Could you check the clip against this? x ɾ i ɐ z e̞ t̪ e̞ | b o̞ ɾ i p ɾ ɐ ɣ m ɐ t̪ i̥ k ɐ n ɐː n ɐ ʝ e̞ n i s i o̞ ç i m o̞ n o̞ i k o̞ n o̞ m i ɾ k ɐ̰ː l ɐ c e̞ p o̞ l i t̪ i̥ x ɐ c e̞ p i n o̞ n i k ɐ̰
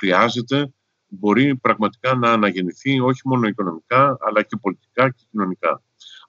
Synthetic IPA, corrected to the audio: x ɾ i ɐ z e̞ t̪ e̞ | b o̞ ɾ i p ɾ ɐ ɣ m ɐ t̪ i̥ k ɐ n ɐː n ɐ ʝ e̞ n i θ i o̞ ç i m o̞ n o̞ i k o̞ n o̞ m i k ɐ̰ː l ɐ c e̞ p o̞ l i t̪ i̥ k ɐ c e̞ c i n o̞ n i k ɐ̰